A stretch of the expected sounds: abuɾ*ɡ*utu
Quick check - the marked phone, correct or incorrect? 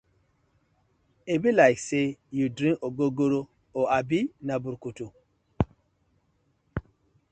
incorrect